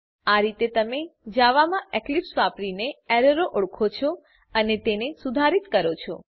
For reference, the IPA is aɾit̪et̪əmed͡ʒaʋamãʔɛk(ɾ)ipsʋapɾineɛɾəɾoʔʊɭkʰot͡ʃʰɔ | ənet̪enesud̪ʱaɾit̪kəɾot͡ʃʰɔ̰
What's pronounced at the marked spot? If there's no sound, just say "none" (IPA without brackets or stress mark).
l